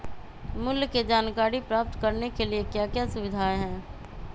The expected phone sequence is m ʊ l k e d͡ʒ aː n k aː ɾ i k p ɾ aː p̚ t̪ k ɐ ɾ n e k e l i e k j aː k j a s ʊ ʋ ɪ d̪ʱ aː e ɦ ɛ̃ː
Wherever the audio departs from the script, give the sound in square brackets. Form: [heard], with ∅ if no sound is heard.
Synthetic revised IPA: m ʊ l k e d͡ʒ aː n k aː ɾ i [∅] p ɾ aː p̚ t̪ k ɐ ɾ n e k e l i e k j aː k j a s ʊ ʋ ɪ d̪ʱ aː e ɦ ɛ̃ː